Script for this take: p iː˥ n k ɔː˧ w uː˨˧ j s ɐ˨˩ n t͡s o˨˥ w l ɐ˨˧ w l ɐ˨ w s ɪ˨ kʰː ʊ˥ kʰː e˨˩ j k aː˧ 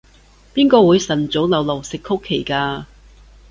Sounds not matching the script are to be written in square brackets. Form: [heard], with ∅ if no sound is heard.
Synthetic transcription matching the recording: p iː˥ n k ɔː˧ w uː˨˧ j s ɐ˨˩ n t͡s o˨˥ w l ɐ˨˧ w l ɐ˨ w s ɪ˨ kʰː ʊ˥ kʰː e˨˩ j k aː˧